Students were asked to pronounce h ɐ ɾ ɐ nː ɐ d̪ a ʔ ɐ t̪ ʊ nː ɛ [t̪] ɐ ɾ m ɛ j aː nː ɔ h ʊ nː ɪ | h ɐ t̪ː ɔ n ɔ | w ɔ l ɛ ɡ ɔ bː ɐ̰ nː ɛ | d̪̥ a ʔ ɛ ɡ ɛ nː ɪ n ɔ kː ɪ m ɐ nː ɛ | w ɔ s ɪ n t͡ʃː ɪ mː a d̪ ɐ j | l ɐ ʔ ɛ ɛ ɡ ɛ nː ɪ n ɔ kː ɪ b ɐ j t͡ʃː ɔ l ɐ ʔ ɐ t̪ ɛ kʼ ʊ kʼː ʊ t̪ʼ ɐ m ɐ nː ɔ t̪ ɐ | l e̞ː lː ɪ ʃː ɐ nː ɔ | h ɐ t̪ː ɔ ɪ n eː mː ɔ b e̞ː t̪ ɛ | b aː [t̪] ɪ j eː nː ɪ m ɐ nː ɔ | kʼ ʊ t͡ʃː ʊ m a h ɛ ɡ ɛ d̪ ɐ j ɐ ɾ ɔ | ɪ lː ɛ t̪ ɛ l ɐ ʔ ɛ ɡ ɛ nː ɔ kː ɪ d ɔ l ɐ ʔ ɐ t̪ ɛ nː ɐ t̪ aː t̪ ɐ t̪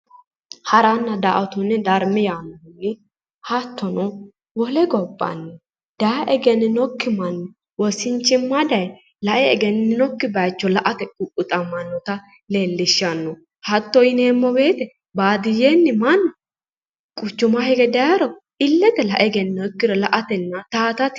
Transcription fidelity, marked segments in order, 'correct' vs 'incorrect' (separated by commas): incorrect, incorrect